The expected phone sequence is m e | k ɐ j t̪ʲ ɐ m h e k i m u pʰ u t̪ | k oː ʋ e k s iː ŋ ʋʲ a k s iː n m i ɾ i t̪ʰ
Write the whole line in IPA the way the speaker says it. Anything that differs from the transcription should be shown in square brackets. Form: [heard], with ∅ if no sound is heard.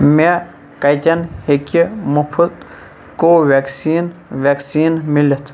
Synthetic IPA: m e | k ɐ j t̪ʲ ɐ [n] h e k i m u pʰ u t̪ | k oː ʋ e k s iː [n] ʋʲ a k s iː n m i [l] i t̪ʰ